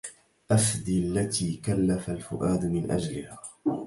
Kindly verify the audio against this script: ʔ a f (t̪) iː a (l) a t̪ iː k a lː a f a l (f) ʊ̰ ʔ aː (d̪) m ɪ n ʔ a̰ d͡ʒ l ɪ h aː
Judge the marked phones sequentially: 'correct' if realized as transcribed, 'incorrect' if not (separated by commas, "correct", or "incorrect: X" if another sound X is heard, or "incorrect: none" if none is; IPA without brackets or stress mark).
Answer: incorrect: d̪, incorrect: lː, correct, correct